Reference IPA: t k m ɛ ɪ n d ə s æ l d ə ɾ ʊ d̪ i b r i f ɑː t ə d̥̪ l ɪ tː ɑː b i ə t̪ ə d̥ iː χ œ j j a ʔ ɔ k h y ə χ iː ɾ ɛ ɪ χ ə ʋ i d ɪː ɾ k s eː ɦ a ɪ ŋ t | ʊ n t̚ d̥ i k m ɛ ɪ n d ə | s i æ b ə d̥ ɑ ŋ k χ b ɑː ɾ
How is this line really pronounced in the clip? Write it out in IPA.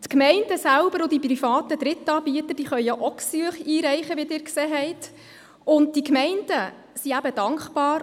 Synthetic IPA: t k m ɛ ɪ n d ə s æ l b ə ɾ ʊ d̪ i p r i f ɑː t ə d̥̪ ɾ ɪ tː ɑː b i ə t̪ ə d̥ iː χ œ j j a ʔ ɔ k s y ə χ iː ɾ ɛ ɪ χ ə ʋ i d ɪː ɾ k s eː ɦ ɛ ɪ t | ʊ n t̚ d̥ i k m ɛ ɪ n d ə | s i æ b ə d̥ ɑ ŋ k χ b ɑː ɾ